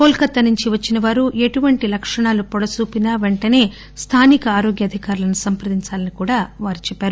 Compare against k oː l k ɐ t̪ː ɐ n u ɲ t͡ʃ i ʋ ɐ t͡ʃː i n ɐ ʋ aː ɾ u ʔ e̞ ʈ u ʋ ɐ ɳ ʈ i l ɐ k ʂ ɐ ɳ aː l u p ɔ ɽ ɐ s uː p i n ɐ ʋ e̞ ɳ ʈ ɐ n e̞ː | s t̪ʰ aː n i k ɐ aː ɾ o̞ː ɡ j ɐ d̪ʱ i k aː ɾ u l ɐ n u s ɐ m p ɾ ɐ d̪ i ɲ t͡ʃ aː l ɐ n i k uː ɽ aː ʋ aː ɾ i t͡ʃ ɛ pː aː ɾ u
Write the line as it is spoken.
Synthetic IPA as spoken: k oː l k ɐ t̪ː ɐ n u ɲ t͡ʃ i ʋ ɐ t͡ʃː i n ɐ ʋ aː ɾ u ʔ e̞ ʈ u ʋ ɐ ɳ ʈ i l ɐ k ʂ ɐ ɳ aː l u p ɔ ɽ ɐ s uː p i n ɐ ʋ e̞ ɳ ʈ ɐ n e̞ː | s t̪ʰ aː n i k ɐ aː ɾ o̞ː ɡ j ɐ d̪ʱ i k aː ɾ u l ɐ n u s ɐ m p ɾ ɐ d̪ i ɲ t͡ʃ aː l ɐ n i k uː ɽ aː ʋ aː ɾ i t͡ʃ ɛ pː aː ɾ u

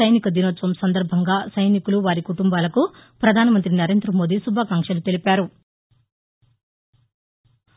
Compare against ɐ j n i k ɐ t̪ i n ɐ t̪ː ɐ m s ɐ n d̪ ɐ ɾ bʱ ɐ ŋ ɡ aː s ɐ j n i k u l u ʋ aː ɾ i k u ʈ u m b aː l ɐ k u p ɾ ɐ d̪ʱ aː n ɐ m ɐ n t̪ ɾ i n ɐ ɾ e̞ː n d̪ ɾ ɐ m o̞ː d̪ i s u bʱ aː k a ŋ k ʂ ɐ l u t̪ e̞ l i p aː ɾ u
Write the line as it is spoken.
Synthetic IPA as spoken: ɐ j n i k ɐ d̪ i n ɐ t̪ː ɐ m s ɐ n d̪ ɐ ɾ bʱ ɐ ŋ ɡ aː s ɐ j n i k u l u ʋ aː ɾ i k u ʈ u m b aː l ɐ k u p ɾ ɐ d̪ʱ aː n ɐ m ɐ n t̪ ɾ i n ɐ ɾ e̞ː n d̪ ɾ ɐ m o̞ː d̪ i s u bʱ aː k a ŋ k ʂ ɐ l u t̪ e̞ l i p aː ɾ u

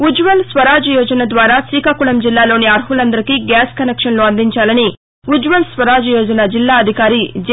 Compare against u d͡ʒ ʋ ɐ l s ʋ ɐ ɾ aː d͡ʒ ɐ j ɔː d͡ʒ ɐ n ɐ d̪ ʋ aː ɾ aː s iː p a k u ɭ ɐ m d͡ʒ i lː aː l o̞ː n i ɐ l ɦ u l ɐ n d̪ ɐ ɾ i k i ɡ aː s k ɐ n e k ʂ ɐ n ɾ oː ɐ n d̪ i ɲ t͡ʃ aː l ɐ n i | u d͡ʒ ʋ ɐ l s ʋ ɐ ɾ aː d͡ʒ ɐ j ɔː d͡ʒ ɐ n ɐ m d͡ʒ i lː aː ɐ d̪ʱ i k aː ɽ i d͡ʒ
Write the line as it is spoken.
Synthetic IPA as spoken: u d͡ʒ ʋ ɐ l s ʋ ɐ ɾ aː d͡ʒ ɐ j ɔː d͡ʒ ɐ n ɐ d̪ ʋ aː ɾ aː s iː k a k u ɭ ɐ m d͡ʒ i lː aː l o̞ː n i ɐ ɾ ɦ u l ɐ n d̪ ɐ ɾ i k i ɡ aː s k ɐ n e k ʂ ɐ n l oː ɐ n d̪ i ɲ t͡ʃ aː l ɐ n i | u d͡ʒ ʋ ɐ l s ʋ ɐ ɾ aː d͡ʒ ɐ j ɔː d͡ʒ ɐ n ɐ d͡ʒ i lː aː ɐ d̪ʱ i k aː ɾ i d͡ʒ

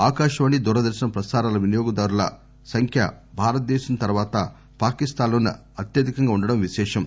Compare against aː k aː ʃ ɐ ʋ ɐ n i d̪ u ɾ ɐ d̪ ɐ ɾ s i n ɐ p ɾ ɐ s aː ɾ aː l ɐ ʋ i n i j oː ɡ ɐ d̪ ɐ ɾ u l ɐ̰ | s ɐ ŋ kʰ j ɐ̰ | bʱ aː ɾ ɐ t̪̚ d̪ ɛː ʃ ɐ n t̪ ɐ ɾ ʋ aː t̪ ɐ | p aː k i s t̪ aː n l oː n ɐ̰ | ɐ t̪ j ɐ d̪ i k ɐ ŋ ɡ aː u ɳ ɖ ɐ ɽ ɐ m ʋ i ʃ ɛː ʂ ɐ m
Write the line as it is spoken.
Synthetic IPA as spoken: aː k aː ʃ ɐ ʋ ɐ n i d̪ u ɾ ɐ d̪ ɐ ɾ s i n ɐ p ɾ ɐ s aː ɾ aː l ɐ ʋ i n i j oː ɡ ɐ d̪ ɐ ɾ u l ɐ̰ | s ɐ ŋ kʰ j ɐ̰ | bʱ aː ɾ ɐ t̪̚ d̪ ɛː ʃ ɐ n t̪ ɐ ɾ ʋ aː t̪ ɐ | p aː k i s t̪ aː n l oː n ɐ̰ | ɐ t̪ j ɐ d̪ i k ɐ ŋ ɡ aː u ɳ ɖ ɐ ɽ ɐ m ʋ i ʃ ɛː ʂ ɐ m

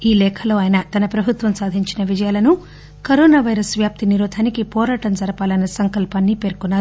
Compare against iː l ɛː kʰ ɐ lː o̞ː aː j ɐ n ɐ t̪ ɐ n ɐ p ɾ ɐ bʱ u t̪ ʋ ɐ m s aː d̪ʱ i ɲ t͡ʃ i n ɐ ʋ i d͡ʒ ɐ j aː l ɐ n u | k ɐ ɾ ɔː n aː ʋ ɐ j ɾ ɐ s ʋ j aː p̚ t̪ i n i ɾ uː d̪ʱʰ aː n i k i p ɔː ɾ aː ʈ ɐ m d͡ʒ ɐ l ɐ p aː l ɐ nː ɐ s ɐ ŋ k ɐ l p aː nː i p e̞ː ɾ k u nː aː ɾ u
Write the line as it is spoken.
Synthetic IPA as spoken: iː l ɛː kʰ ɐ l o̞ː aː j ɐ n ɐ t̪ ɐ n ɐ p ɾ ɐ bʱ u t̪ ʋ ɐ m s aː d̪ʱ i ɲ t͡ʃ i n ɐ ʋ i d͡ʒ ɐ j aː l ɐ n u | k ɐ ɾ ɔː n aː ʋ ɐ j ɾ ɐ s ʋ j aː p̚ t̪ i n i ɾ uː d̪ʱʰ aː n i k i p ɔː ɾ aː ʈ ɐ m d͡ʒ ɐ ɾ ɐ p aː l ɐ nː ɐ s ɐ ŋ k ɐ l p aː nː i p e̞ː ɾ k u nː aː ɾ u

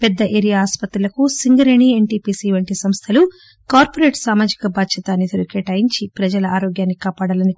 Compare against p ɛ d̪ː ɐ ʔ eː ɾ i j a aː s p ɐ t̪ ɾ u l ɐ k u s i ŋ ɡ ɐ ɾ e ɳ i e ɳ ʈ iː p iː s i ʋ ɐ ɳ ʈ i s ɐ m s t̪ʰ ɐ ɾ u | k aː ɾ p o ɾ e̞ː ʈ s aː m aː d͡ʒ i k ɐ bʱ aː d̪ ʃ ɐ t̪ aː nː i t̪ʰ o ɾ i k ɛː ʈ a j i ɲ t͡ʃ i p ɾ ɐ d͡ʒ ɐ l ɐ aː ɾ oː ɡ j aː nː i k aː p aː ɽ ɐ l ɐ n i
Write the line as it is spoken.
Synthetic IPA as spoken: p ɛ d̪ː ɐ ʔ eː ɾ i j a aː s p ɐ t̪ ɾ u l ɐ k u s i ŋ ɡ ɐ ɾ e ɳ i e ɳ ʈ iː p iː s i ʋ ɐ ɳ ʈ i s ɐ m s t̪ʰ ɐ l u | k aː ɾ p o ɾ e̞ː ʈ s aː m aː d͡ʒ i k ɐ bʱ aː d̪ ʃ ɐ t̪ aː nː i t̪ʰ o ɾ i k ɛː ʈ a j i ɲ t͡ʃ i p ɾ ɐ d͡ʒ ɐ l ɐ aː ɾ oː ɡ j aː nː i k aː p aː ɽ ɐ l ɐ n i

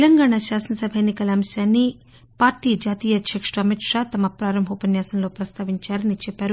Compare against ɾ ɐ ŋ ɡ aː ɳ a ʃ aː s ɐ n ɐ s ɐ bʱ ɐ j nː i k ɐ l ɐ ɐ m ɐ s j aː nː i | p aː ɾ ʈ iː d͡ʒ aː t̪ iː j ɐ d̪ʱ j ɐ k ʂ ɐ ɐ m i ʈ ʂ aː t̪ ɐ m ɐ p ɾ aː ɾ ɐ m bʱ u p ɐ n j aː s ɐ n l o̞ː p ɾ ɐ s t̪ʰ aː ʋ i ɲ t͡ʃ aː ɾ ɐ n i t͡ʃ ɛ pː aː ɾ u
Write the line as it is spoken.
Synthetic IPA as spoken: l ɐ ŋ ɡ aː ɳ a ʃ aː s ɐ n ɐ s ɐ bʱ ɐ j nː i k ɐ l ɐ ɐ m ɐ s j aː nː i | p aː ɾ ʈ iː d͡ʒ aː t̪ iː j ɐ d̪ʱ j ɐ k ʂ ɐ ɐ m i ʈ ʂ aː t̪ ɐ m ɐ p ɾ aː ɾ ɐ m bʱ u p ɐ n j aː s ɐ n l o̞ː p ɾ ɐ s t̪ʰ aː ʋ i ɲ t͡ʃ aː ɾ ɐ n i t͡ʃ ɛ pː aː ɾ u

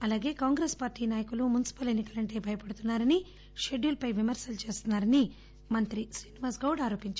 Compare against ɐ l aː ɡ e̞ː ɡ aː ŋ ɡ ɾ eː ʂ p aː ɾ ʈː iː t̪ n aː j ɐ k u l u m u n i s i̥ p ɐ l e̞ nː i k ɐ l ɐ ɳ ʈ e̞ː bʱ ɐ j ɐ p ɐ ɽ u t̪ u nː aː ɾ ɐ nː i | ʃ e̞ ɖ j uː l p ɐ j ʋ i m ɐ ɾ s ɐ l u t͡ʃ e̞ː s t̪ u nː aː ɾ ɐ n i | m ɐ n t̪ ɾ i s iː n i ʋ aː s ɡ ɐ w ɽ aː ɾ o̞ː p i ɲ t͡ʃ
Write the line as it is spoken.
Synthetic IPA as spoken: ɐ l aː ɡ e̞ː k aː ŋ ɡ ɾ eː s p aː ɾ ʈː iː n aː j ɐ k u l u m u n i s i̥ p ɐ l e̞ nː i k ɐ l ɐ ɳ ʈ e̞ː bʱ ɐ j ɐ p ɐ ɽ u t̪ u nː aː ɾ ɐ n i | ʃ e̞ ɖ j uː l p ɐ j ʋ i m ɐ ɾ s ɐ l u t͡ʃ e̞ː s t̪ u nː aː ɾ ɐ n i | m ɐ n t̪ ɾ i s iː n i ʋ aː s ɡ ɐ w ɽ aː ɾ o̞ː p i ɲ t͡ʃ

